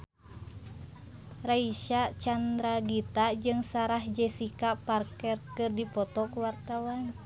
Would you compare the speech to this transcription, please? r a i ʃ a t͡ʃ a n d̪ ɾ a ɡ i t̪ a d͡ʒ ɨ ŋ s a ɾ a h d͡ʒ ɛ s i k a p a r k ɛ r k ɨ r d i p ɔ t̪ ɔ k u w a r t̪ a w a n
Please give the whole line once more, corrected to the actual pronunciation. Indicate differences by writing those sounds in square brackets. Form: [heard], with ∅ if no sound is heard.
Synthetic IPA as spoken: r a i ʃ a t͡ʃ a n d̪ ɾ a ɡ i t̪ a d͡ʒ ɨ ŋ s a ɾ a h d͡ʒ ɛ s i k a p a r k ɛ r k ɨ r d i p ɔ t̪ ɔ k u w a r t̪ a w a n